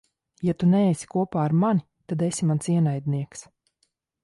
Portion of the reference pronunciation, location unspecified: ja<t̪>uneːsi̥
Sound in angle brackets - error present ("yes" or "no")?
no